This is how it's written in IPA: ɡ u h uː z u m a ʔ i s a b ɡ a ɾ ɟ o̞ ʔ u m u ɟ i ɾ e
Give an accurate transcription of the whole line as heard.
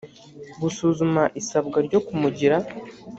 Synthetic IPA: ɡ u s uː z u m a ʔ i s a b ɡ a ɾ ɟ o̞ k u m u ɟ i ɾ a